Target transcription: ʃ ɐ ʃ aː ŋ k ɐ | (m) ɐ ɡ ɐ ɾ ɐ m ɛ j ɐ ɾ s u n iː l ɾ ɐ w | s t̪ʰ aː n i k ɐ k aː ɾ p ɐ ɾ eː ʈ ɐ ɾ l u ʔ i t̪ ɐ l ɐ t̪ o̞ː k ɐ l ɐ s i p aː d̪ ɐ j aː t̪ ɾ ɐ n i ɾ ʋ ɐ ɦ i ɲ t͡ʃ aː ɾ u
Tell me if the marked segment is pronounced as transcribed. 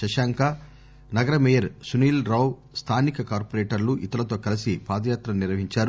no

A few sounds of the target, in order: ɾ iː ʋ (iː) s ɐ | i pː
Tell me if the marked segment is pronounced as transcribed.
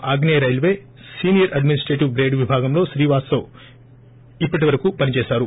no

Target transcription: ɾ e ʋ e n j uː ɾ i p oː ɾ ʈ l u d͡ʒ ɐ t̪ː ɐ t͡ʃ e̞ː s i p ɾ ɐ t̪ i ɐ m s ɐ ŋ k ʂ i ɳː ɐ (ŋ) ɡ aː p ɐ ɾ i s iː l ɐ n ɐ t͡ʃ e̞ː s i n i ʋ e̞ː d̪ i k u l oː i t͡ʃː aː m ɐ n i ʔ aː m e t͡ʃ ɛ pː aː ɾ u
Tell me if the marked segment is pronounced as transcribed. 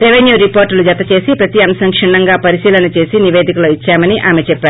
yes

